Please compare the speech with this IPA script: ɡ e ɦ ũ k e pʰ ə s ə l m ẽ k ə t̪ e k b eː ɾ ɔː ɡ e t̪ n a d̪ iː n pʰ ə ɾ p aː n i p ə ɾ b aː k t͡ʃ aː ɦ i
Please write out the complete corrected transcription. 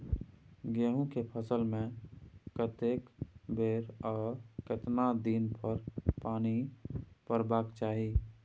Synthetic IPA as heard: ɡ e ɦ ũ k e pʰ ə s ə l m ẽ k ə t̪ e k b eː ɾ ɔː k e t̪ n a d̪ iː n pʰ ə ɾ p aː n i p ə ɾ b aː k t͡ʃ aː ɦ i